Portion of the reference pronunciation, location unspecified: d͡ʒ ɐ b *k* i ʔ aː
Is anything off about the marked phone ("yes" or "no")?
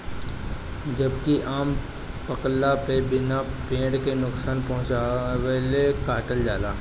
no